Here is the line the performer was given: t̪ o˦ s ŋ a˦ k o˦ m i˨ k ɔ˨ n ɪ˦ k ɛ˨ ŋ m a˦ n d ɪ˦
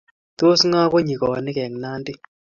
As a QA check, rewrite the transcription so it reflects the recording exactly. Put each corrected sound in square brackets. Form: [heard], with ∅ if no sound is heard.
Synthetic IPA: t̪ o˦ s ŋ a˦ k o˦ [ɲ] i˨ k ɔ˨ n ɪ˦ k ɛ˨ ŋ [n] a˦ n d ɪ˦